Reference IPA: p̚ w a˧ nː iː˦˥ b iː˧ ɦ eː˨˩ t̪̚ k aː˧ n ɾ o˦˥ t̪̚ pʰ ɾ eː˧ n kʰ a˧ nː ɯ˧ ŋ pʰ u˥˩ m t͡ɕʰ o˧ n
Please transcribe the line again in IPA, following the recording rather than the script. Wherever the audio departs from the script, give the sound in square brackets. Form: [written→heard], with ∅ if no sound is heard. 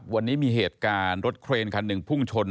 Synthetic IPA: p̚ w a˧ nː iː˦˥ [b→m] iː˧ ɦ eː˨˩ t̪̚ k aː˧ n ɾ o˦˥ t̪̚ [pʰ→kʰ] ɾ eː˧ n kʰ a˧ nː [ɯ˧→ɯ˨˩] ŋ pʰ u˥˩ [m→ŋ] t͡ɕʰ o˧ n